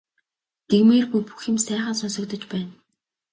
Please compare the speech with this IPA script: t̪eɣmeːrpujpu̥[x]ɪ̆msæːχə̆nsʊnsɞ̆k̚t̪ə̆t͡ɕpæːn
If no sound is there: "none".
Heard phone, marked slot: x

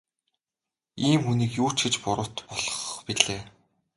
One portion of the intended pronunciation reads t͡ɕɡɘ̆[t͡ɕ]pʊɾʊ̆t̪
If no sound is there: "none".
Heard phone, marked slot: t͡ɕ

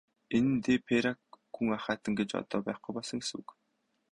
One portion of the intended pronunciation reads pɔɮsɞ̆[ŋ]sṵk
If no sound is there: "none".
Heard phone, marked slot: ŋ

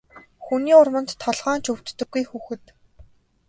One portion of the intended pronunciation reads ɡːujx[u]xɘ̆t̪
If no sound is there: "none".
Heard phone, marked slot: uː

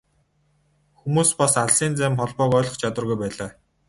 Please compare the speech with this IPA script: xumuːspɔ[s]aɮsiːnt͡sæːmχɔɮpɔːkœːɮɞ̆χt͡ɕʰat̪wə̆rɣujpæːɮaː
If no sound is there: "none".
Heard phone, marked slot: s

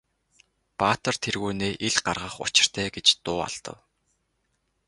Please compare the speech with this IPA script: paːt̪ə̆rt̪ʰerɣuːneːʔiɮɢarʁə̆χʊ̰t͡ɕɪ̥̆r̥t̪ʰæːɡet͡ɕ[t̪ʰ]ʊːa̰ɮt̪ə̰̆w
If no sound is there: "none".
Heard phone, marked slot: t̪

